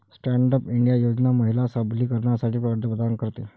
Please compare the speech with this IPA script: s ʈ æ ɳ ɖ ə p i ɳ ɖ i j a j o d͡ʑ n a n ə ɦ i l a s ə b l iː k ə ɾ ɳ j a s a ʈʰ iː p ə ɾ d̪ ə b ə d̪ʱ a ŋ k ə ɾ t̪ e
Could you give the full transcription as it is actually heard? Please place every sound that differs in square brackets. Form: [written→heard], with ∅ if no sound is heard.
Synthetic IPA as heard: s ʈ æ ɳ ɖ ə p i ɳ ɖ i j a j o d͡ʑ n a [n→m] ə ɦ i l a s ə b l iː k ə ɾ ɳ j a s a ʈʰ iː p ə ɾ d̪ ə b ə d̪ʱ a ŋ k ə ɾ t̪ e